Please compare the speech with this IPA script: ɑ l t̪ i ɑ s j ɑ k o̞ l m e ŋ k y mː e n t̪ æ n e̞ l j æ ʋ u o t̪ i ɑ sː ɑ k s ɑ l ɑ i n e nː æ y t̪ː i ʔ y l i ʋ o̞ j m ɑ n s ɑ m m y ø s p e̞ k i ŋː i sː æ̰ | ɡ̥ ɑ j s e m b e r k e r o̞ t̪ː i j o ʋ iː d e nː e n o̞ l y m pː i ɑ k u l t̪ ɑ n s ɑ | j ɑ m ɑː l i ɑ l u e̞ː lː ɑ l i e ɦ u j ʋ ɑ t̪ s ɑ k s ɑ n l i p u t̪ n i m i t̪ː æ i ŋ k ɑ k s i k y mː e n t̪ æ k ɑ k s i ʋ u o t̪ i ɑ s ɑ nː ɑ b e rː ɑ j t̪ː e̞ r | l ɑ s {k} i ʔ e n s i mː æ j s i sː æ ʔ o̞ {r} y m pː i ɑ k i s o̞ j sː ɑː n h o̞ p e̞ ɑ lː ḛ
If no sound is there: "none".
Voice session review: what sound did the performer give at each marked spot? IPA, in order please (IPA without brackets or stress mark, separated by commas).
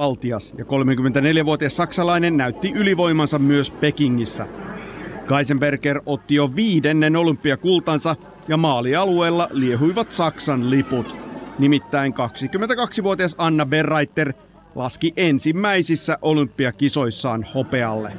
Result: k, l